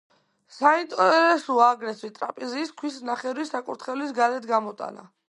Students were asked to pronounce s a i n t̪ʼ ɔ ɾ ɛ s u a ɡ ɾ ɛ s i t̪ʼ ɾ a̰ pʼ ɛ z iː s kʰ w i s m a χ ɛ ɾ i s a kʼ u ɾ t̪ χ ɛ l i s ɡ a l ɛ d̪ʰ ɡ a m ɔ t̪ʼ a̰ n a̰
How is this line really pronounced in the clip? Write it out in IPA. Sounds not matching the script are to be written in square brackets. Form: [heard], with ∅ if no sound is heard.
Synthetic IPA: s a i n t̪ʼ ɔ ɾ ɛ s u a ɡ ɾ ɛ s i t̪ʼ ɾ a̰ pʼ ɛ z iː s kʰ w i s [n] a χ ɛ ɾ i s a kʼ u ɾ t̪ χ ɛ l i s ɡ a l ɛ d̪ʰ ɡ a m ɔ t̪ʼ a̰ n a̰